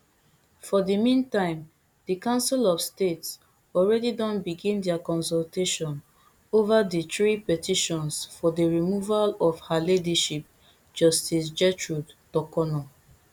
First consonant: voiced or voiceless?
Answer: voiceless